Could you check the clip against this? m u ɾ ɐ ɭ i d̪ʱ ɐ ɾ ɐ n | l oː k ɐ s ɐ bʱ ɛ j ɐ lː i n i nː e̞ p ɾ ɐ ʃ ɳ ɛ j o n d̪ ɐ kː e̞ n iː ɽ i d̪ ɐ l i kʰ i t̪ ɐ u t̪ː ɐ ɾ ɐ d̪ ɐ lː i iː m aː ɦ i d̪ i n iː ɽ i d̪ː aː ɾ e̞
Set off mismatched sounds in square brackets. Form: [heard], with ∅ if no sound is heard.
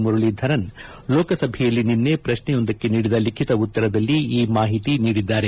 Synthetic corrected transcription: m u ɾ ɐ ɭ i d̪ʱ ɐ ɾ ɐ n | l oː k ɐ s ɐ bʱ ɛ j ɐ lː i n i nː e̞ p ɾ ɐ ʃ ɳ ɛ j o n d̪ ɐ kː e̞ n iː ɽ i d̪ ɐ l i kʰ i t̪ ɐ u t̪ː ɐ ɾ ɐ d̪ ɐ lː i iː m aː ɦ i [t̪] i n iː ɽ i d̪ː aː ɾ e̞